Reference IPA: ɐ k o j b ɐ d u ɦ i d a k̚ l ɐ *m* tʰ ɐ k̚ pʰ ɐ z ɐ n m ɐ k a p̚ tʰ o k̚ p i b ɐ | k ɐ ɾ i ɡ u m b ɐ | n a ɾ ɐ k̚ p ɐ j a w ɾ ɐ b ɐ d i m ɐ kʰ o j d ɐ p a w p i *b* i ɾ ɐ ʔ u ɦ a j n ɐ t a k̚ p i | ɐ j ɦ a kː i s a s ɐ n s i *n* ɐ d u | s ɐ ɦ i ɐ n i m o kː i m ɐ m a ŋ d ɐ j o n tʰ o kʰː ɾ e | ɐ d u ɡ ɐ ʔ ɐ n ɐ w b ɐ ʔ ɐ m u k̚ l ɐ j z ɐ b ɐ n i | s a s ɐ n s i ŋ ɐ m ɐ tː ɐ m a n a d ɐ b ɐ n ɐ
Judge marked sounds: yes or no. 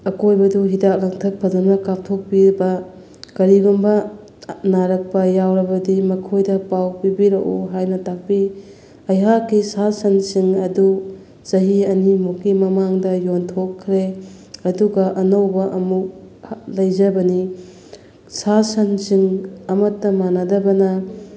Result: no, yes, no

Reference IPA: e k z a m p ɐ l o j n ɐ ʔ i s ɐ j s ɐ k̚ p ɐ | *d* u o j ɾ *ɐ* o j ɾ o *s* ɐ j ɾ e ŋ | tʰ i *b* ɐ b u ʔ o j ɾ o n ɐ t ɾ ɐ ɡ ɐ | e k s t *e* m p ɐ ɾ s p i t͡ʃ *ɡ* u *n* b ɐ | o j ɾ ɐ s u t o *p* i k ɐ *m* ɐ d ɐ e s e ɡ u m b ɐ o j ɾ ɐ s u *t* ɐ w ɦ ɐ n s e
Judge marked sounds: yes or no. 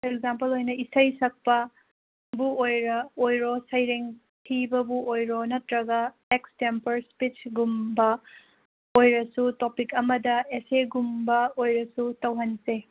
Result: no, yes, yes, yes, yes, yes, no, yes, yes, yes

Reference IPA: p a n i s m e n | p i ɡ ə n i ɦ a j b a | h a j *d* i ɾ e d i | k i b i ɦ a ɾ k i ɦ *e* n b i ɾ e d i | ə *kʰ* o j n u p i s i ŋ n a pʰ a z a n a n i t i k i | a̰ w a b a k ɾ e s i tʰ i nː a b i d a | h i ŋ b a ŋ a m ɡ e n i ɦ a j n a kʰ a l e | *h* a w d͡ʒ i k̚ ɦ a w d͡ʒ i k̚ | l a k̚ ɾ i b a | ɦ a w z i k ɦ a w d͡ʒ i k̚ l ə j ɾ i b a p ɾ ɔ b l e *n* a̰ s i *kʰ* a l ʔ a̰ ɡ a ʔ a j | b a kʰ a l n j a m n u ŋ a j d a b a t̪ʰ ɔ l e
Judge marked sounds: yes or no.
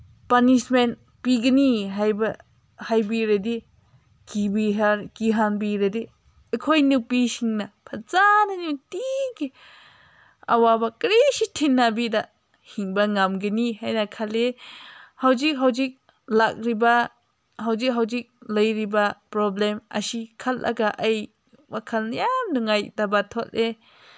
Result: no, no, yes, yes, no, yes

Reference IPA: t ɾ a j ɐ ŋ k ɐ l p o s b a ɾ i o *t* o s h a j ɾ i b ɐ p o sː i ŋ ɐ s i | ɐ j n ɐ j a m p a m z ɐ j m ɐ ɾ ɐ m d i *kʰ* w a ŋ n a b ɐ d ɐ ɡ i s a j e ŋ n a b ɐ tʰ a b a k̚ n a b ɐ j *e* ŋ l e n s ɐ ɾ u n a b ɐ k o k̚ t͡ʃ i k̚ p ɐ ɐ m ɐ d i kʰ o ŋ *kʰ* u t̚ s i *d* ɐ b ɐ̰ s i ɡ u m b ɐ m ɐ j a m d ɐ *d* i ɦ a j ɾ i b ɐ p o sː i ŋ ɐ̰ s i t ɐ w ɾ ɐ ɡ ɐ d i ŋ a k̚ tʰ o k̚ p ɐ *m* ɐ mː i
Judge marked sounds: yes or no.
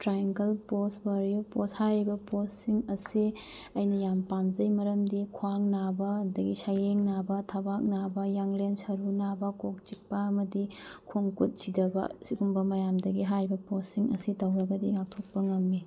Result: no, yes, no, no, yes, no, no

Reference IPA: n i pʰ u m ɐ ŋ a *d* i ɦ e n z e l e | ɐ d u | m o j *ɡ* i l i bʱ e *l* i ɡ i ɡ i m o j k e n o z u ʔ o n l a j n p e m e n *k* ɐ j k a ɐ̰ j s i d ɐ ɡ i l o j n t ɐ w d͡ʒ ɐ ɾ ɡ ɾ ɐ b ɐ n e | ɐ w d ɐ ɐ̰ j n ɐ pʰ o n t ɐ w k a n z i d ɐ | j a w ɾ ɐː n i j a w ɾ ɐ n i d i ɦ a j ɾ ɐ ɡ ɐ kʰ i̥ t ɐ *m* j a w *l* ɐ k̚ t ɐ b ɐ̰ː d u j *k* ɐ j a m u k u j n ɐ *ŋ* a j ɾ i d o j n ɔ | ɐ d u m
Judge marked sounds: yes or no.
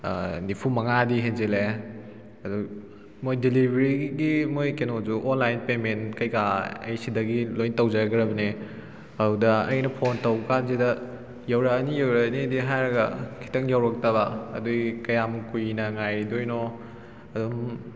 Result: yes, no, no, yes, no, no, yes, yes

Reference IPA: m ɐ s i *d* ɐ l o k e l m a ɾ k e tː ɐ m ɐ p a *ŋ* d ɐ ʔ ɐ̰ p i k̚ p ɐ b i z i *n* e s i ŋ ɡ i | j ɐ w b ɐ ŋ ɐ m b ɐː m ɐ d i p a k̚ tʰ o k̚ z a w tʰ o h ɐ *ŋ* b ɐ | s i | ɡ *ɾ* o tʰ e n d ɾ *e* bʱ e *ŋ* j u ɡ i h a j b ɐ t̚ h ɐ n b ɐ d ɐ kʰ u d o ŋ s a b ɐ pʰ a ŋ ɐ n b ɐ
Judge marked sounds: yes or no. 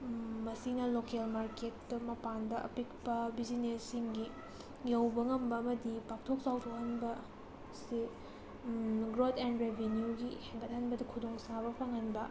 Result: no, no, yes, no, yes, yes, no

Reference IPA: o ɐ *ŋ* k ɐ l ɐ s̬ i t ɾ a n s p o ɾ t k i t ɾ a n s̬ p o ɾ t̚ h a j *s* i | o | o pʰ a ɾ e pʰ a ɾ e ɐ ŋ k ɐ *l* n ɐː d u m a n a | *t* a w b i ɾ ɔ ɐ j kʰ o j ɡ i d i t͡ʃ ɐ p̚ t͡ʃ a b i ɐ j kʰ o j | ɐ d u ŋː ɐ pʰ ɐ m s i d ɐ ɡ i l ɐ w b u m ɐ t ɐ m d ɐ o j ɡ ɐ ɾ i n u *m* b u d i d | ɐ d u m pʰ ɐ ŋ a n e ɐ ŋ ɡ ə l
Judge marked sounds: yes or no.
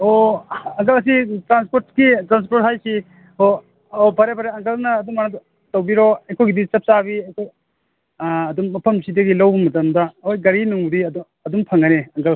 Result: yes, yes, yes, yes, no

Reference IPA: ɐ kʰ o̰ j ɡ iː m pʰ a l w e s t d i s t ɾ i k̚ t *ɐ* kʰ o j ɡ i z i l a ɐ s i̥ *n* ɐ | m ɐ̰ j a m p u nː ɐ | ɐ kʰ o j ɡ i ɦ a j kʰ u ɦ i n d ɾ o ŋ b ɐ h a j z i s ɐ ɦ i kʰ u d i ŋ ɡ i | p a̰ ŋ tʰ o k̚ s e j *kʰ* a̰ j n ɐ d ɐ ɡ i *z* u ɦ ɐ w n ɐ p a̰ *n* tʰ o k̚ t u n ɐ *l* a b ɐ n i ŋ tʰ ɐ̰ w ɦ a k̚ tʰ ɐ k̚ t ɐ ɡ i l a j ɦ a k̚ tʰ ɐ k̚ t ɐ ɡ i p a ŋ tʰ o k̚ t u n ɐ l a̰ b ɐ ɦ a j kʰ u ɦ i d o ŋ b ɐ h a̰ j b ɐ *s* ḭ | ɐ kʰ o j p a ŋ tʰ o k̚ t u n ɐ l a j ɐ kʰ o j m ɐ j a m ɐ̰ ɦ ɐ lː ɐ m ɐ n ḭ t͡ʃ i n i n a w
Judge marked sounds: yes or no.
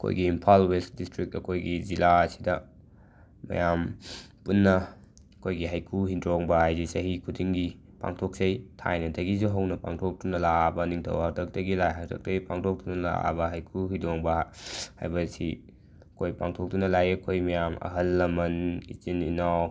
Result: yes, no, no, yes, no, yes, yes

